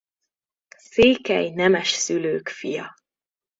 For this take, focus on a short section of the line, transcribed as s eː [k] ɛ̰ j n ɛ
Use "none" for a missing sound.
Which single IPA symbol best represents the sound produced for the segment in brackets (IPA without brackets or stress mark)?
k